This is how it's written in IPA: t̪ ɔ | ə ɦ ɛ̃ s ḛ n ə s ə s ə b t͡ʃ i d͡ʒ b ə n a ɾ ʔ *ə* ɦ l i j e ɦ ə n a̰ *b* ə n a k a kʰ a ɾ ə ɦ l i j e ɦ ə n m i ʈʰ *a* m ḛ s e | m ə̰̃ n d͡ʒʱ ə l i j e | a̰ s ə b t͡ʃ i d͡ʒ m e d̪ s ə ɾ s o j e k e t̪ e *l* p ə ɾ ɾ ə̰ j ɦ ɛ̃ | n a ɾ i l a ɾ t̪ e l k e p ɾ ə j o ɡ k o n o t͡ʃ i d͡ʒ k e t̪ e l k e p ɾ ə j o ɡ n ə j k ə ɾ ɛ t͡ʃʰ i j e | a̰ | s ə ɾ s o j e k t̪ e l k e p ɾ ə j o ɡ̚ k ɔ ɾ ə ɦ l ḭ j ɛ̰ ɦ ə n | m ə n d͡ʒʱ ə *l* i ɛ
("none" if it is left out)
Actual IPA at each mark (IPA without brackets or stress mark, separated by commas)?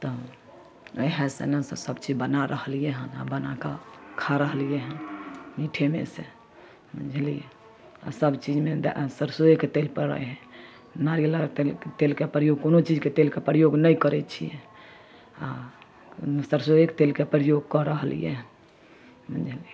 ə, b, e, l, l